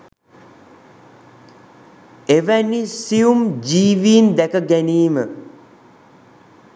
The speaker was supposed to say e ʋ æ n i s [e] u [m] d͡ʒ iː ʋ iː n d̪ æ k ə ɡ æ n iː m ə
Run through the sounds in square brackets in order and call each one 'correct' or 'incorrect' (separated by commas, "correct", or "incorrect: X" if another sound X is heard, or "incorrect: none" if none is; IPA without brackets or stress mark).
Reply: incorrect: i, correct